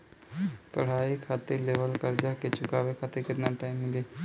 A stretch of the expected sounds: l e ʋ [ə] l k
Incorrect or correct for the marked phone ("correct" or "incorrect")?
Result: correct